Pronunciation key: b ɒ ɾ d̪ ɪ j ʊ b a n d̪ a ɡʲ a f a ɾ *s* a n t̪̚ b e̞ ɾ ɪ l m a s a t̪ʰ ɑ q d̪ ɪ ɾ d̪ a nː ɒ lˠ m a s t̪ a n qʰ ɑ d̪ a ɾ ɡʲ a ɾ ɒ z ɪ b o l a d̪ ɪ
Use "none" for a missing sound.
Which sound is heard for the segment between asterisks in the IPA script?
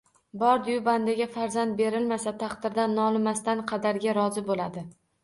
z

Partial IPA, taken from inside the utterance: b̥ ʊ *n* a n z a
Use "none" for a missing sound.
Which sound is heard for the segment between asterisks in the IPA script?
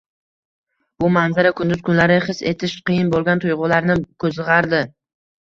m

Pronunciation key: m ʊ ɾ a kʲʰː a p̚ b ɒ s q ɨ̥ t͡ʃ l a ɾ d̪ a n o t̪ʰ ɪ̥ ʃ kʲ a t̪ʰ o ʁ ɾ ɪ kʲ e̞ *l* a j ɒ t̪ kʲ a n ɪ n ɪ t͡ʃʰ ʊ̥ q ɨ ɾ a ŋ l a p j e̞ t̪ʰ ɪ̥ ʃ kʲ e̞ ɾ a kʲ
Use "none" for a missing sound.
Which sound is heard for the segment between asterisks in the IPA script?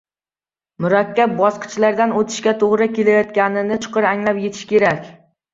l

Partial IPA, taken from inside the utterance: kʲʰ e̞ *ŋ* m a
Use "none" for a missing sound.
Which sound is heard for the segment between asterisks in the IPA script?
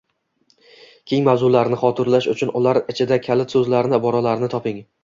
ŋ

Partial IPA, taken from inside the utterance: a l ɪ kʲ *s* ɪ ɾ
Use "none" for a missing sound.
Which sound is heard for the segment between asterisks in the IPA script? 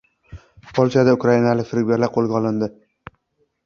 f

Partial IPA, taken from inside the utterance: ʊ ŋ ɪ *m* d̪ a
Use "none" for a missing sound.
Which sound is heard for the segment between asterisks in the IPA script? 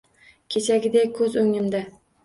m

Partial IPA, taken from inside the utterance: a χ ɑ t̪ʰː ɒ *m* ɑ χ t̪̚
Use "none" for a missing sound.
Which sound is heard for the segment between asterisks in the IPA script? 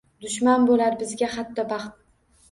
b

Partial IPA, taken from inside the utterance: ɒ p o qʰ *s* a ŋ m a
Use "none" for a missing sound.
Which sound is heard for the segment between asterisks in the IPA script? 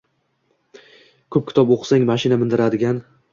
s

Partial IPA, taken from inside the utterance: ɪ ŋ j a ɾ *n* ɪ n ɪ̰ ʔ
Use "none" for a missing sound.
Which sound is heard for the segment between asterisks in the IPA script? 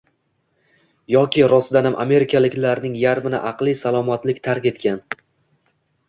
m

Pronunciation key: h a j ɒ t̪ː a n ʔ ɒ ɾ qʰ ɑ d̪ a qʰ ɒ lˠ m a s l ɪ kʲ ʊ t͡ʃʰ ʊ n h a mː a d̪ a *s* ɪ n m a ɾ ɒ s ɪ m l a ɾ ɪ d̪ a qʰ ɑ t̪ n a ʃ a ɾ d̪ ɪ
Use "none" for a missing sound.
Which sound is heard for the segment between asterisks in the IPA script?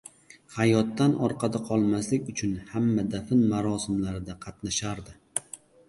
f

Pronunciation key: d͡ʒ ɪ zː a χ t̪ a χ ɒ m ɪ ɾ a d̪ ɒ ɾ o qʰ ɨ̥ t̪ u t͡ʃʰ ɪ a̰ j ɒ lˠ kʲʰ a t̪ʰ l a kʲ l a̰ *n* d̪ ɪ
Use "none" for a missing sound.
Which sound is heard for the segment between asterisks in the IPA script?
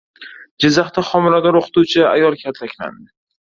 n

